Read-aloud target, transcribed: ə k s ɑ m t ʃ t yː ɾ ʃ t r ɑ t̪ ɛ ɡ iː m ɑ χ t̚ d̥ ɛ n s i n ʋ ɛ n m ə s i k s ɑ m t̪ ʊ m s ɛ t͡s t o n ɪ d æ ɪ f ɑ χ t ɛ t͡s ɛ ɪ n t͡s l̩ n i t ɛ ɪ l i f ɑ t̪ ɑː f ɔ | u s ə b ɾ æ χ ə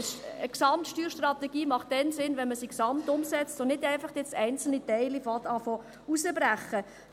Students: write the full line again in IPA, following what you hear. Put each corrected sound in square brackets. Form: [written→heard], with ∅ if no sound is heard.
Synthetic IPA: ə k s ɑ m t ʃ t yː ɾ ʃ t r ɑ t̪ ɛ ɡ iː m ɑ χ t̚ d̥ ɛ n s [i→ɪ] n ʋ ɛ n m ə s i k s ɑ m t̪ ʊ m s ɛ t͡s t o n ɪ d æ ɪ f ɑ χ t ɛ t͡s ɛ ɪ n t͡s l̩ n i t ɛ ɪ l i f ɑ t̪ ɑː f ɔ | u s ə b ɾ æ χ ə